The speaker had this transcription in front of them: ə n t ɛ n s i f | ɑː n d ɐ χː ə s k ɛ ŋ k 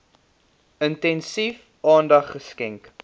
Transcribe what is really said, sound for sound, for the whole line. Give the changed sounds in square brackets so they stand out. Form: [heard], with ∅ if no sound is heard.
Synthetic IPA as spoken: ə n t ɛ n s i f | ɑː n d ɐ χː ə s k ɛ ŋ k